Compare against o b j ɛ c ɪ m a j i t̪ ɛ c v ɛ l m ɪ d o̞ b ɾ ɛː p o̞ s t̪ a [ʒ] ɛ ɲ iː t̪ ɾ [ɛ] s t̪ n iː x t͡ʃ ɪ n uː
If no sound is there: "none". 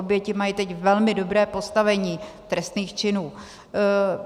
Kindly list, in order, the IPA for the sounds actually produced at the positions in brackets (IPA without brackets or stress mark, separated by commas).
v, ɛ